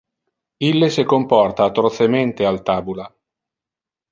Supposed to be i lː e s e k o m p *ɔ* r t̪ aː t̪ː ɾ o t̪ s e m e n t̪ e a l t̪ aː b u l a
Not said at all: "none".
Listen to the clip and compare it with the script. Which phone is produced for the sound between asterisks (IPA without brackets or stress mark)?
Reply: ɔ